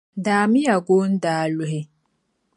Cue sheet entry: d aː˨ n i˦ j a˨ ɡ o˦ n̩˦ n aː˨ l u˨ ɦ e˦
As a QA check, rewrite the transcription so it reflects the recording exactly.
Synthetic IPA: d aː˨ m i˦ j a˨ ɡ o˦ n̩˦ d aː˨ l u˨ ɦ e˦